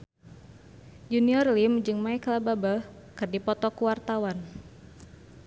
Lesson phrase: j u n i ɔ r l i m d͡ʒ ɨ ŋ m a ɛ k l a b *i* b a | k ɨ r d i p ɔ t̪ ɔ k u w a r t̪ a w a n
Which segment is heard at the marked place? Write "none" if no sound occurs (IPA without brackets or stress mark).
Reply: a